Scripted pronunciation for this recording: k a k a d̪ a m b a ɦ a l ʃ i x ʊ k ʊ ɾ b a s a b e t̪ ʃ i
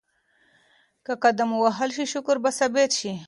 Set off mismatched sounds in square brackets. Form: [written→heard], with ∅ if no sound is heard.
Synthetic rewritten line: k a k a d̪ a m [b→w] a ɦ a l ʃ i [x→ʃ] ʊ k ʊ ɾ b a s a b e t̪ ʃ i